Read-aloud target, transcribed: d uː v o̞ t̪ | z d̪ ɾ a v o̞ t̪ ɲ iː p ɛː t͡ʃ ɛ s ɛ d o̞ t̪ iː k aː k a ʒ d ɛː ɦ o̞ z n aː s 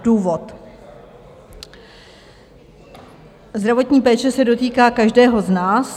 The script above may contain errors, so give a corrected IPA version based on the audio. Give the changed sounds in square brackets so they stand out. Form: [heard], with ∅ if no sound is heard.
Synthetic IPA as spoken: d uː v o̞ t̪ | z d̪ ɾ a v o̞ t̪ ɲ iː p ɛː t͡ʃ ɛ s ɛ d o̞ t̪ iː k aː k a ʒ d ɛː ɦ o̞ z n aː s